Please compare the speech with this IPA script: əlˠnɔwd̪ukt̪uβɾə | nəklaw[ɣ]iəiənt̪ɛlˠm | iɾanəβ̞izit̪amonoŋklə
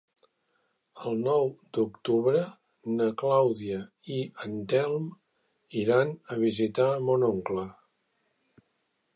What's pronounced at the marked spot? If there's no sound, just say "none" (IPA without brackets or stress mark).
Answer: ð